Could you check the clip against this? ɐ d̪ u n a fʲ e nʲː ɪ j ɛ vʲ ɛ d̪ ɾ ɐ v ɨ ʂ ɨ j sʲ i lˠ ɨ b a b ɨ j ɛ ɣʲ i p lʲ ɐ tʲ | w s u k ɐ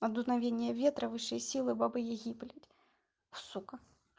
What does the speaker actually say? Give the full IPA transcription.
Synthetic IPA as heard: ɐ d̪ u n a vʲ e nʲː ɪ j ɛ vʲ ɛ t̪ ɾ ɐ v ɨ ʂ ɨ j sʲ i lˠ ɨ b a b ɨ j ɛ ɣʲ i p lʲ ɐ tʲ | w s u k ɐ